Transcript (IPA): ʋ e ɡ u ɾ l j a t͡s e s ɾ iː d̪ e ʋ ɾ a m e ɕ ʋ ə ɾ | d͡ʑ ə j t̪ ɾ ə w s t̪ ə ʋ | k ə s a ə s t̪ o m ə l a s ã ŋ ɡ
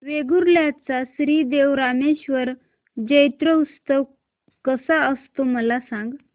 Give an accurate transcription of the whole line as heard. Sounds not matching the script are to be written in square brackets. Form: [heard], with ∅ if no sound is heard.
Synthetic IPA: ʋ e ɡ u ɾ l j a t͡s [a] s ɾ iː d̪ e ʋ ɾ a m e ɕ ʋ ə ɾ | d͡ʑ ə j t̪ ɾ ə [u] s t̪ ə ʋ | k ə s a ə s t̪ o m ə l a s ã ŋ ɡ